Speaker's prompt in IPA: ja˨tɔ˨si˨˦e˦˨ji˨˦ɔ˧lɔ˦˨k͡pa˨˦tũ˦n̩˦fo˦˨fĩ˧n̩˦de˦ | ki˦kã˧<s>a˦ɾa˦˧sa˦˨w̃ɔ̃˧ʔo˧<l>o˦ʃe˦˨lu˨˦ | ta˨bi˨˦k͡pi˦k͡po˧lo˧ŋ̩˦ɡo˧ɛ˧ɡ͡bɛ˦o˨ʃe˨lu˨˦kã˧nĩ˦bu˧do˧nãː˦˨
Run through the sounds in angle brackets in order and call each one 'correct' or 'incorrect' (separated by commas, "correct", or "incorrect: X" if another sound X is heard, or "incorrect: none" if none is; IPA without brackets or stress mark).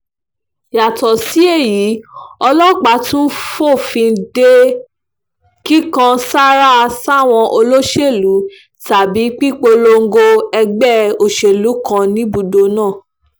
correct, correct